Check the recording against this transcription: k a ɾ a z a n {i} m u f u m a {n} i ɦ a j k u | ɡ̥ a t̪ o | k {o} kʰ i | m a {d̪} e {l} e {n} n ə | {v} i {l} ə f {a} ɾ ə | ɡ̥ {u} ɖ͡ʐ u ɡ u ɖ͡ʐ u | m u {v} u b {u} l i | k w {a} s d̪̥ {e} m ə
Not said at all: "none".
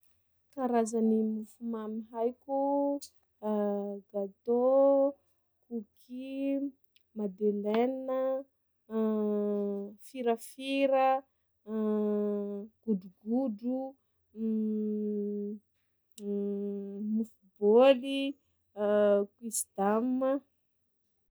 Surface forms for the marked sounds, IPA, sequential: i, m, u, d̪, l, n, f, ɾ, i, u, f, o, i, a

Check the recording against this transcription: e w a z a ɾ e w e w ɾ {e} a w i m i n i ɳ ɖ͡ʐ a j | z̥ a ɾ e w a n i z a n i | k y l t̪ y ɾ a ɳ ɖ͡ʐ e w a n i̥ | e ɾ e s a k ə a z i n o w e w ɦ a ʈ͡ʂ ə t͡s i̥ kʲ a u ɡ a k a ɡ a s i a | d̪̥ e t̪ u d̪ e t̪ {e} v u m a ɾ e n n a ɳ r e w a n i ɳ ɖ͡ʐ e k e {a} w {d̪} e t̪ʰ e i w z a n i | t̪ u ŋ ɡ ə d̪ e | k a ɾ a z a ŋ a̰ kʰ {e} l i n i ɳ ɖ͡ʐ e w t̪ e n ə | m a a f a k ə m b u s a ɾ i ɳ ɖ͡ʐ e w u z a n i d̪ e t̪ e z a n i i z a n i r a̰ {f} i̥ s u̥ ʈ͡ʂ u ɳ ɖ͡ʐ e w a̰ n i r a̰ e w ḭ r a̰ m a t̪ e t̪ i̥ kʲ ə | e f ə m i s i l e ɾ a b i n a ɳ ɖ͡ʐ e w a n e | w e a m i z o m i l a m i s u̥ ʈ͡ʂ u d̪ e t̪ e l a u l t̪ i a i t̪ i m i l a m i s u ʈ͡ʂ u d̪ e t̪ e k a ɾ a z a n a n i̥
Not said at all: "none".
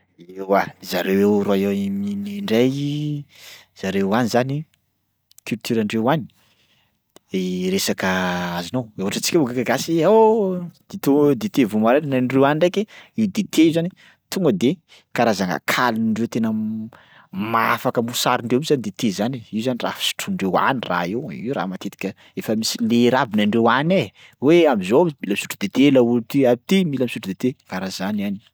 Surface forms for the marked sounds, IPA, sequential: a, e, i, d̪, a, f

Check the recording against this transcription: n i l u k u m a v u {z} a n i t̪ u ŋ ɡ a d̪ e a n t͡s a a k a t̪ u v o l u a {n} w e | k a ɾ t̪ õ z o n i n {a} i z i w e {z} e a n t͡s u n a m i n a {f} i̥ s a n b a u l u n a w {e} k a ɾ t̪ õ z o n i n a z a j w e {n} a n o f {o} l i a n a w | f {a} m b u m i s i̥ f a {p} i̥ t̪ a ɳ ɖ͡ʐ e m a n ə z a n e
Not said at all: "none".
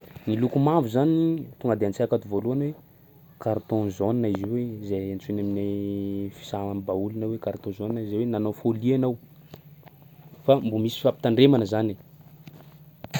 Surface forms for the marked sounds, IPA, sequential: z, n, a, z, f, e, n, o, a, p

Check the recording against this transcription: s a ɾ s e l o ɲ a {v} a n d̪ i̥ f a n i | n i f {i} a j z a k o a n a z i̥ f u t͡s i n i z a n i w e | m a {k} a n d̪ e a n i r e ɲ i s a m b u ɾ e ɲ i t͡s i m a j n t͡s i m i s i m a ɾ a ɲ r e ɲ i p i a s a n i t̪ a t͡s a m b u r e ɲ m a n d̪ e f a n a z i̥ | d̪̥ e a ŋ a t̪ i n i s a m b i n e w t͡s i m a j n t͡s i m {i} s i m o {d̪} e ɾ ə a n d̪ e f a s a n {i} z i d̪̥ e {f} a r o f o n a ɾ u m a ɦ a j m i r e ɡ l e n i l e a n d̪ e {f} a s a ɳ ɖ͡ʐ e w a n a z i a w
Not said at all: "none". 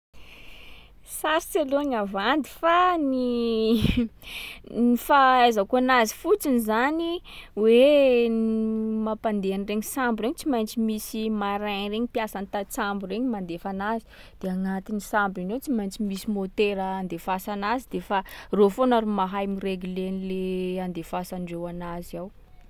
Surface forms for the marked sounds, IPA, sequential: v, a, p, i, t̪, a, f, f

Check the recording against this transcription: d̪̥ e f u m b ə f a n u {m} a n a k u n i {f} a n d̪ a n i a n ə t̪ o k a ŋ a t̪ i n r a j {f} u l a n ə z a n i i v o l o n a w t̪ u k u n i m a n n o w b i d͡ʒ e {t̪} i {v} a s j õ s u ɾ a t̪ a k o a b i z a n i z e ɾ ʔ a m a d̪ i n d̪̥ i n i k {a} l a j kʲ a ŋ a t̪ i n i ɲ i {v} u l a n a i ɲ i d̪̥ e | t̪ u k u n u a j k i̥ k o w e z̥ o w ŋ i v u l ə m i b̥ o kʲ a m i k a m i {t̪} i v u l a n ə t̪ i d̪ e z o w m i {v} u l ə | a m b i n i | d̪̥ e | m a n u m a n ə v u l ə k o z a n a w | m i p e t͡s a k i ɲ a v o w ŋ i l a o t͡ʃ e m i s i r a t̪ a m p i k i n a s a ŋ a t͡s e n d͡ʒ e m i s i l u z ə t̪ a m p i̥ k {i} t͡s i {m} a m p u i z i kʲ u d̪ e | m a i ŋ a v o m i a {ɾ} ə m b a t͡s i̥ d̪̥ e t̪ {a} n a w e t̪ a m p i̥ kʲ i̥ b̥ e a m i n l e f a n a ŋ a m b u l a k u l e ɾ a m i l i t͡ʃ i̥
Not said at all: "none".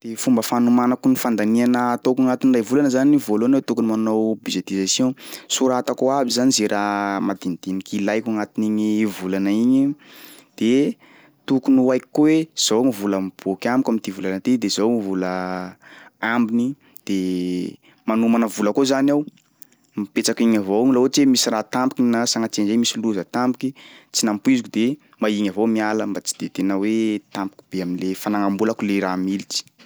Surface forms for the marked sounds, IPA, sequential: m, f, v, t̪, z, i, v, t̪, v, i, n, l, e

